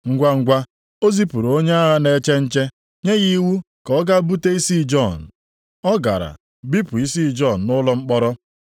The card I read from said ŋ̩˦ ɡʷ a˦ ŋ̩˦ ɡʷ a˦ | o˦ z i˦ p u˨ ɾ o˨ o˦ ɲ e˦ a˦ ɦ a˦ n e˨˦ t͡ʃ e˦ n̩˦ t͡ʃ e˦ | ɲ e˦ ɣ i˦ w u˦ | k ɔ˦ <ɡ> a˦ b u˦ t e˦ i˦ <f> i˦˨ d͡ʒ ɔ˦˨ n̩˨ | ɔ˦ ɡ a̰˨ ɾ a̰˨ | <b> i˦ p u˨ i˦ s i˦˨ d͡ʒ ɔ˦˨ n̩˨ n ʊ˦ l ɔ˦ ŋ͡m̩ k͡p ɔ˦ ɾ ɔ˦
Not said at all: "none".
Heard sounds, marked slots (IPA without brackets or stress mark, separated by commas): ɡ, s, b